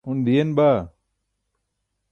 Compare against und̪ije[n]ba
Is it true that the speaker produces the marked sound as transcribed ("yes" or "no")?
yes